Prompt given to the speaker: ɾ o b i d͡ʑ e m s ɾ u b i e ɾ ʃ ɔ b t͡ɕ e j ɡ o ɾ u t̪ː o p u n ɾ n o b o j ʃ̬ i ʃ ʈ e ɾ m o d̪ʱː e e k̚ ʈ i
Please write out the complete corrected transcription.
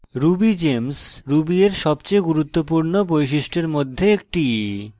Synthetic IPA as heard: ɾ u b i d͡ʑ e m s ɾ u b i e ɾ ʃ ɔ b t͡ɕ e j ɡ u ɾ u t̪ː o p u ɾ n o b o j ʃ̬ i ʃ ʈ e ɾ m o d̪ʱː e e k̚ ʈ i